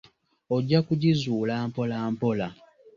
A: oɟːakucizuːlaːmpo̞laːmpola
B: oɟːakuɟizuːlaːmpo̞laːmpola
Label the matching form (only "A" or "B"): B